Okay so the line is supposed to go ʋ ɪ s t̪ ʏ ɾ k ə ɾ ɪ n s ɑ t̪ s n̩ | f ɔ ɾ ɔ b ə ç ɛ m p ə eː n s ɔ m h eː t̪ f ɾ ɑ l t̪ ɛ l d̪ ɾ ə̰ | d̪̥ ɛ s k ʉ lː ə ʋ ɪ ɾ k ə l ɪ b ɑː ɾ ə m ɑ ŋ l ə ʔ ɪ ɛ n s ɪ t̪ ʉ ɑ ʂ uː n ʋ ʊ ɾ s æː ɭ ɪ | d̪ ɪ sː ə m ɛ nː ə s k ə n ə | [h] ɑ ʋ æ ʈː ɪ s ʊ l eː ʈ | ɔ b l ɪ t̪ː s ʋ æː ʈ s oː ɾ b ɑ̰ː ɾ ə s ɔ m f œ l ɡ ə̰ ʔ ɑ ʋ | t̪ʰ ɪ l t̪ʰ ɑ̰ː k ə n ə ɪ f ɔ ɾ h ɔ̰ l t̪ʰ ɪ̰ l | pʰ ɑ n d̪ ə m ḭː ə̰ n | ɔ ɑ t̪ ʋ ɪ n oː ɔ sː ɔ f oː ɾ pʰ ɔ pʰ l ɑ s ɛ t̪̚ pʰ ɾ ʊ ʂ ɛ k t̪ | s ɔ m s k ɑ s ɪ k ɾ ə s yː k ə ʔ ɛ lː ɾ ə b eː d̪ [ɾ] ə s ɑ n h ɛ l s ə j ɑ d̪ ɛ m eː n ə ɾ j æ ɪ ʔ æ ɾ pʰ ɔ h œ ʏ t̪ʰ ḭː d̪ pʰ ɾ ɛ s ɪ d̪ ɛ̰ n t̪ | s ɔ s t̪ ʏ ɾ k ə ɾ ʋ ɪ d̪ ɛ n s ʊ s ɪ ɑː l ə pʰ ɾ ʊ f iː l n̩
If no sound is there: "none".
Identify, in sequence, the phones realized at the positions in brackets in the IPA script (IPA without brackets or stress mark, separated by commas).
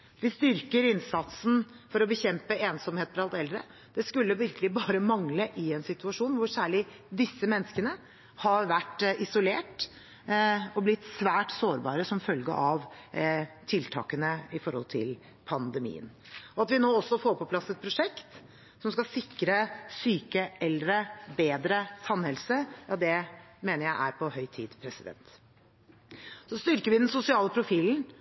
h, ɾ